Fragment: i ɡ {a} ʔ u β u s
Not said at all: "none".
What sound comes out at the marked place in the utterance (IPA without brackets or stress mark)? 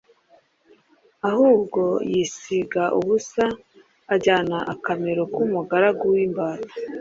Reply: a